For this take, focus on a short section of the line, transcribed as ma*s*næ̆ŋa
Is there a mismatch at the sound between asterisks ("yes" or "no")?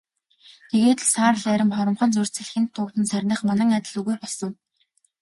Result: yes